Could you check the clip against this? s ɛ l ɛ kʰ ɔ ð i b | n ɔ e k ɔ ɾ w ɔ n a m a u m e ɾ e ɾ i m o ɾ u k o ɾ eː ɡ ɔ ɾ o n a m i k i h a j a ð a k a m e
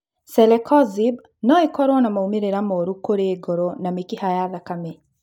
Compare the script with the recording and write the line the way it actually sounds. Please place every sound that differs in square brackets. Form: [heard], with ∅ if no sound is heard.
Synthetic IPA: s ɛ l ɛ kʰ ɔ [z] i b | n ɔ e k ɔ ɾ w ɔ n a m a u m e ɾ e ɾ [a] m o ɾ u k o ɾ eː ɡ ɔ ɾ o n a m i k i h a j a ð a k a m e